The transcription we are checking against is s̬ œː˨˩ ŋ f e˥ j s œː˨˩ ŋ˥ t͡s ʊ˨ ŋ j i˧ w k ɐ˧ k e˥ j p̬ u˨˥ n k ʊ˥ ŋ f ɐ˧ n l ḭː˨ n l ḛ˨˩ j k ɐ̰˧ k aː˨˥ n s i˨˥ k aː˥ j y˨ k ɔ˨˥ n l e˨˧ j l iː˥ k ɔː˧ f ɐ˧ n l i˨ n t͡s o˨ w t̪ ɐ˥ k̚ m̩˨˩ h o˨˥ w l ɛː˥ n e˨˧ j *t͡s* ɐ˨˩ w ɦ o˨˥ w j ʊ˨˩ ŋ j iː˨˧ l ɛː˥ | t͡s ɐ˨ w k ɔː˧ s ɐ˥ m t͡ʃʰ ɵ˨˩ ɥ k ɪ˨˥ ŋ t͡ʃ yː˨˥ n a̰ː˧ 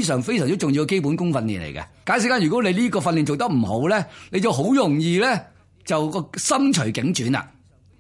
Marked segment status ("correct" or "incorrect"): correct